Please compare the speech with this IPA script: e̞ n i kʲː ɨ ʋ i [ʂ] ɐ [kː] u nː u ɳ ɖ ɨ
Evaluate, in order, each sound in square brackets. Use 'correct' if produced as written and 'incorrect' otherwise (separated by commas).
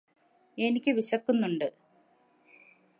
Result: incorrect, correct